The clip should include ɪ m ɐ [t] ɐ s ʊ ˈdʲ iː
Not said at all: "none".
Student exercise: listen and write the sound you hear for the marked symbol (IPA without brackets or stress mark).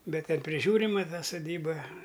t